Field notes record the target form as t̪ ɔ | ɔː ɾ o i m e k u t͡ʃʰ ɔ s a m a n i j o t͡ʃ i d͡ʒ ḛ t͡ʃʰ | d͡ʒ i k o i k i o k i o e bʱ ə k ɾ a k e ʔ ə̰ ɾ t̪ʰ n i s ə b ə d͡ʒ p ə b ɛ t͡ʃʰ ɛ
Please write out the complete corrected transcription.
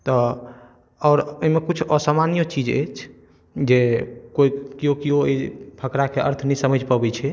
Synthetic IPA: t̪ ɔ | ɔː ɾ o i m e k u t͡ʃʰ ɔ s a m a n i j o t͡ʃ i d͡ʒ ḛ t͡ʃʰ | d͡ʒ e k o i k i o k i o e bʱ ə k ɾ a k e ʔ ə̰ ɾ t̪ʰ n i s ə m ə d͡ʒ p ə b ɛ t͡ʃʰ ɛ

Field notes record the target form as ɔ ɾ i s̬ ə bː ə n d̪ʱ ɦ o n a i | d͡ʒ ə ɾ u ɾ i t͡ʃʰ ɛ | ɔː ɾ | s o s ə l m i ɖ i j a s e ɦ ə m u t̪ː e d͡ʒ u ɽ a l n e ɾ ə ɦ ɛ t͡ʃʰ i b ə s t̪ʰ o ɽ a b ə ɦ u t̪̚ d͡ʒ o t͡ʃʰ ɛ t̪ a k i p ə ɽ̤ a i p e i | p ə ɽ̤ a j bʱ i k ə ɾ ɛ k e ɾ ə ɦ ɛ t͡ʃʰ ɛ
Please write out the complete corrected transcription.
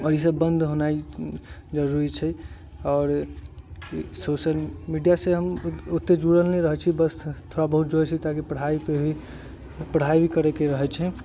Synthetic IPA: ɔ ɾ i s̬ ə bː ə n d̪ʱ ɦ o n a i | d͡ʒ ə ɾ u ɾ i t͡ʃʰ ɛ | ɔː ɾ | s o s ə l m i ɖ i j a s e ɦ ə m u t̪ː e d͡ʒ u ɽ ə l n e ɾ ə ɦ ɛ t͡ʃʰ i b ə s t̪ʰ o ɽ a b ə ɦ u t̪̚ d͡ʒ o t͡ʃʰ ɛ t̪ a k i p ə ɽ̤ a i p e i | p ə ɽ̤ a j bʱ i k ə ɾ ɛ k e ɾ ə ɦ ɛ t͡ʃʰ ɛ

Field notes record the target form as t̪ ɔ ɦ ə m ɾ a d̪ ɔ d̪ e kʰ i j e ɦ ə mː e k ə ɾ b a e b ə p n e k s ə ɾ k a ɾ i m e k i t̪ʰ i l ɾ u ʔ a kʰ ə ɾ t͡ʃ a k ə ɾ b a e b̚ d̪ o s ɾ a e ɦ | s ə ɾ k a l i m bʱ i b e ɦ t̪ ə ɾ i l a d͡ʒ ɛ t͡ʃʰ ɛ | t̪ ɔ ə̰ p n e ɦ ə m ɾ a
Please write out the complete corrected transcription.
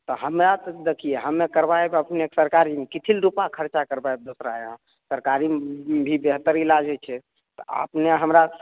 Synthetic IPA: t̪ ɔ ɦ ə m ɾ a t̪ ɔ d̪ e kʰ i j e ɦ ə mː e k ə ɾ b a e b ə p n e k s ə ɾ k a ɾ i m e k i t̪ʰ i l ɾ u p a kʰ ə ɾ t͡ʃ a k ə ɾ b a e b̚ d̪ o s ɾ a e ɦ | s ə ɾ k a ɾ i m bʱ i b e ɦ t̪ ə ɾ i l a d͡ʒ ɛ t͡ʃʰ ɛ | t̪ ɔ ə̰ p n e ɦ ə m ɾ a

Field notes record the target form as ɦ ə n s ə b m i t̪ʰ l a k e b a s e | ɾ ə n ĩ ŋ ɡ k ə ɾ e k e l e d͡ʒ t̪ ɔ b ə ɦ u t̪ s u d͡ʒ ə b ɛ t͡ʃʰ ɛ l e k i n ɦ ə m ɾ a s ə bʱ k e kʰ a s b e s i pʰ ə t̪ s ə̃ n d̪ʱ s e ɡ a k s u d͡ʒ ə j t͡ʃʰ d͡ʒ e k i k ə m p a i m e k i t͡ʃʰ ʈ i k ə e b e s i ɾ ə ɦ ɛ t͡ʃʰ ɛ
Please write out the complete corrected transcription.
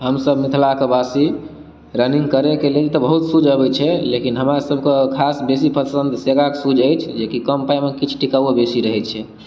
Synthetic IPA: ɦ ə m s ə b m i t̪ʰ l a k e b a s i | ɾ ə n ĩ ŋ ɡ k ə ɾ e k e l e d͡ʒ t̪ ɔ b ə ɦ u t̪ s u d͡ʒ ə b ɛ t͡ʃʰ ɛ l e k i n ɦ ə m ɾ a s ə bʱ k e kʰ a s b e s i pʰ ə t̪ s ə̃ n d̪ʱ s e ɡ a k s u d͡ʒ ə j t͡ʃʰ d͡ʒ e k i k ə m p a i m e k i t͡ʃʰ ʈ i k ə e b e s i ɾ ə ɦ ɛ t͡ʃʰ ɛ

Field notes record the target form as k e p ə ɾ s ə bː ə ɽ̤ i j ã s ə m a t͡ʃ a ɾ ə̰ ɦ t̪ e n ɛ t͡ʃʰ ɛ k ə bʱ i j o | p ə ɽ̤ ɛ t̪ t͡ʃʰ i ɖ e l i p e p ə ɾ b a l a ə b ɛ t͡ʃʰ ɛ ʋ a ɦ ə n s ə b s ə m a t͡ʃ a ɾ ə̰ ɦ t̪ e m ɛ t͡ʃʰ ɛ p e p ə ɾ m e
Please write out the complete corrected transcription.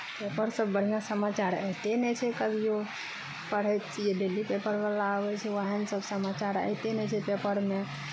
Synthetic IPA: p e p ə ɾ s ə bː ə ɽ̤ i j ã s ə m a t͡ʃ a ɾ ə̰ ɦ t̪ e n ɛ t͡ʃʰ ɛ k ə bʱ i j o | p ə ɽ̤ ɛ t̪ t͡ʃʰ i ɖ e l i p e p ə ɾ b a l a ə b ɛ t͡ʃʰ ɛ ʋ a ɦ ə n s ə b s ə m a t͡ʃ a ɾ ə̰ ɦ t̪ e n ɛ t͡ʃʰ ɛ p e p ə ɾ m e

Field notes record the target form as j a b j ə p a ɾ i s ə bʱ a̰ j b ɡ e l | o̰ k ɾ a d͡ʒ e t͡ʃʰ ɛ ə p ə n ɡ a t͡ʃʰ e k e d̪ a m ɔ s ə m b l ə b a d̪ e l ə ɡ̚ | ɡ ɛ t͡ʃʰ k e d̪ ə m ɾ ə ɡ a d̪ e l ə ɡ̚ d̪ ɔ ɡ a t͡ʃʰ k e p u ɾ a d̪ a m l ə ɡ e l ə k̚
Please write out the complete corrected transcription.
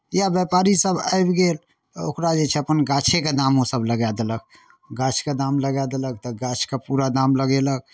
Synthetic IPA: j a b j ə p a ɾ i s ə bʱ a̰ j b ɡ e l | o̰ k ɾ a d͡ʒ e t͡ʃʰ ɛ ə p ə n ɡ a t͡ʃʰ e k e d̪ a m o s ə b l ə ɡ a d̪ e l ə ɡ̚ | ɡ a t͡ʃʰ k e d̪ a m l ə ɡ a d̪ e l ə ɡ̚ t̪ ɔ ɡ a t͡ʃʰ k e p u ɾ a d̪ a m l ə ɡ e l ə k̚

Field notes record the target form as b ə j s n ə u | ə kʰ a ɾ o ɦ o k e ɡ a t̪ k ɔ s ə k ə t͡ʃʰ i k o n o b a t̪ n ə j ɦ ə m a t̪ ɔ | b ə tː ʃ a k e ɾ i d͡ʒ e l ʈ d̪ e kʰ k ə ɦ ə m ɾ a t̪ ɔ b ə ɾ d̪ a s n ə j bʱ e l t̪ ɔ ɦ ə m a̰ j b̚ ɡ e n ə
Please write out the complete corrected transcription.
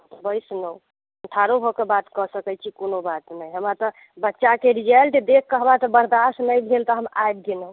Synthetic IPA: b ə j s n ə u | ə ʈʰ a ɾ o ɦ o k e b a t̪ k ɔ s ə k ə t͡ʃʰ i k o n o b a t̪ n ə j ɦ ə m a t̪ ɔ | b ə tː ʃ a k e ɾ i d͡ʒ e l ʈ d̪ e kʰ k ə ɦ ə m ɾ a t̪ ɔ b ə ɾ d̪ a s n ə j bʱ e l t̪ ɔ ɦ ə m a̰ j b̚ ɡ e n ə

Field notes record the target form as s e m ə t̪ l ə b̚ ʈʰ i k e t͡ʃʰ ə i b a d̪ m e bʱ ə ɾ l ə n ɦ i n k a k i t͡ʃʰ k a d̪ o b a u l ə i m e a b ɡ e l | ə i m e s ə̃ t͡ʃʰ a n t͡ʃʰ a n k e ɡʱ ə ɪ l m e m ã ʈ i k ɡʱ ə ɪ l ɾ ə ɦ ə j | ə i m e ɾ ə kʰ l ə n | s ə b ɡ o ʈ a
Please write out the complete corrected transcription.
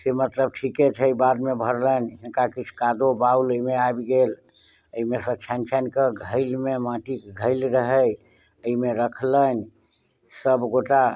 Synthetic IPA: s e m ə t̪ l ə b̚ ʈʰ i k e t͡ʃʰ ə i b a d̪ m e bʱ ə ɾ l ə n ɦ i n k a k i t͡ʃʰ k a d̪ o b a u l ə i m e a b ɡ e l | ə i m e s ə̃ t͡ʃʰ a n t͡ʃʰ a n k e ɡʱ ə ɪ l m e m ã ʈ i k ɡʱ ə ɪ l ɾ ə ɦ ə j | ə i m e ɾ ə kʰ l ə n | s ə b ɡ o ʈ a

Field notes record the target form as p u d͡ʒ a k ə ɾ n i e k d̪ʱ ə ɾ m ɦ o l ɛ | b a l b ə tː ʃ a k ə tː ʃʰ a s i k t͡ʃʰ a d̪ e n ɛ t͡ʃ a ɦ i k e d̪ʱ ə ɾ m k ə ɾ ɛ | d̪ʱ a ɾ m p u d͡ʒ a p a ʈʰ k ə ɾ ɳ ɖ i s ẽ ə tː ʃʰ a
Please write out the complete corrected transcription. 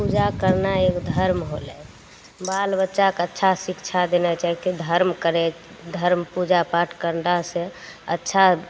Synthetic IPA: p u d͡ʒ a k ə ɾ n a e k d̪ʱ ə ɾ m ɦ o l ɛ | b a l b ə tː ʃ a k ə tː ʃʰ a s i k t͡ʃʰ a d̪ e n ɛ t͡ʃ a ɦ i k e d̪ʱ ə ɾ m k ə ɾ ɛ | d̪ʱ ə ɾ m p u d͡ʒ a p a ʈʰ k ə ɾ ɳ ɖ a s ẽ ə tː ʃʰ a

